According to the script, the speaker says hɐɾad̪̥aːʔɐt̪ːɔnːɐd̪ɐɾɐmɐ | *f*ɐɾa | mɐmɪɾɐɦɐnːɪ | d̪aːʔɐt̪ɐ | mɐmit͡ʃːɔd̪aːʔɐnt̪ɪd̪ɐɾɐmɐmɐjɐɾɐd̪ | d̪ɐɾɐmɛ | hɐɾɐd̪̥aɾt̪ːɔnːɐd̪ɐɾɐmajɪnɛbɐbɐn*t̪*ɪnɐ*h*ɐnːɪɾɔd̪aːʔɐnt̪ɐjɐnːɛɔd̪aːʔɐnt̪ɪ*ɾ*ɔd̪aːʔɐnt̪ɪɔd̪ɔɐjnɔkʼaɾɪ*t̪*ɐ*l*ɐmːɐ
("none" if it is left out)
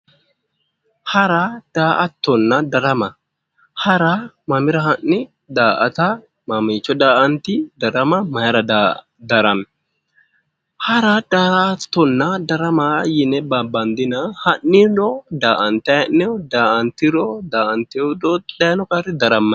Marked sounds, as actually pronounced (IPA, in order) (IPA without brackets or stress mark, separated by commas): h, d̪, h, ɾ, d̪, ɾ